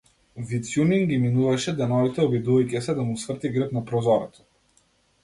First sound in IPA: v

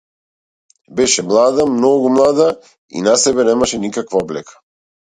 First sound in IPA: b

